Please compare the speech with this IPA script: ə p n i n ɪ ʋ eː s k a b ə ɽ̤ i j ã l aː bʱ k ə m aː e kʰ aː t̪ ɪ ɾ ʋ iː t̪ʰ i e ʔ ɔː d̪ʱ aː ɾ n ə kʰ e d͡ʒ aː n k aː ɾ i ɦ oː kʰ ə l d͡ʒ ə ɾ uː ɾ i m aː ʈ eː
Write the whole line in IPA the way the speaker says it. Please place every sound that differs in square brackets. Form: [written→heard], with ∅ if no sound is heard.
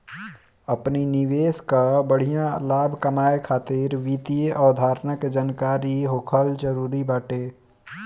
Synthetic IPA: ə p n i n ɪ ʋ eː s k a b ə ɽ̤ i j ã l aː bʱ k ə m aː e kʰ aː t̪ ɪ ɾ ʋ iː [t̪ʰ→t̪] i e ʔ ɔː d̪ʱ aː ɾ n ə [kʰ→k] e d͡ʒ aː n k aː ɾ i ɦ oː kʰ ə l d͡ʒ ə ɾ uː ɾ i [m→b] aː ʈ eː